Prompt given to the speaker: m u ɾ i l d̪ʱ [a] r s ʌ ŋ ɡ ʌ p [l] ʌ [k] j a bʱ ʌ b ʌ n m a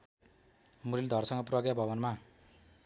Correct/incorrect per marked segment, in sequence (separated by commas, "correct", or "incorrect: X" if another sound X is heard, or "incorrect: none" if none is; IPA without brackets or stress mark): incorrect: ʌ, incorrect: r, incorrect: ɡ